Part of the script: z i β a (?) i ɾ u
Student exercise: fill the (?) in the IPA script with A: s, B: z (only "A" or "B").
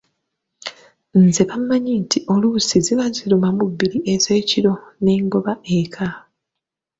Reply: B